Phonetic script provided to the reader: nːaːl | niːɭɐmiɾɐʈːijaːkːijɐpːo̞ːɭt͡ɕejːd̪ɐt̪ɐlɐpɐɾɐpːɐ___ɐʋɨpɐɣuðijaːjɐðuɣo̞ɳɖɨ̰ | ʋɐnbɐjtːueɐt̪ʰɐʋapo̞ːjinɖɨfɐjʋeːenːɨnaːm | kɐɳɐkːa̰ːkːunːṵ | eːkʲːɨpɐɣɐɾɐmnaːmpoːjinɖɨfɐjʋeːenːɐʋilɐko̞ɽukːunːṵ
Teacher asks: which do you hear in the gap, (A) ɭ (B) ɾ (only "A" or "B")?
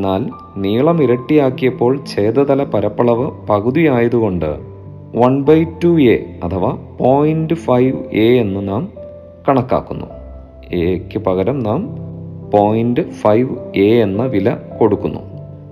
A